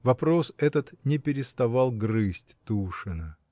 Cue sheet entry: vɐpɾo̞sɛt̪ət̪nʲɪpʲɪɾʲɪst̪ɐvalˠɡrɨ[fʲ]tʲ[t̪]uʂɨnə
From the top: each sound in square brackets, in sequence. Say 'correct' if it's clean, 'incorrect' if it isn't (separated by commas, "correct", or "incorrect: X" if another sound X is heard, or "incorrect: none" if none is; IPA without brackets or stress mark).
incorrect: sʲ, correct